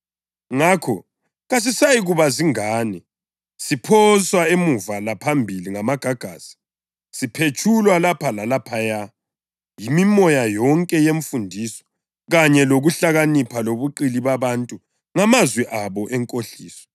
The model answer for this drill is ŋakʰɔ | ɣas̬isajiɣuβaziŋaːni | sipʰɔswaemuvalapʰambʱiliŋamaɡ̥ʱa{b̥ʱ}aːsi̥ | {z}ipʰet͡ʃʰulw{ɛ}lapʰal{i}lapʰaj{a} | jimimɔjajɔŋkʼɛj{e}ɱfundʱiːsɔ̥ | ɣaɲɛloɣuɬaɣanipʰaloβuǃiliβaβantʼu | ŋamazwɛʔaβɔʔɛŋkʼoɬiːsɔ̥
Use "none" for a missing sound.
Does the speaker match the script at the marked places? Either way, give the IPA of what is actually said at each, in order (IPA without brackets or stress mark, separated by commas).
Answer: ɡ̥ʱ, s, a, a, a, e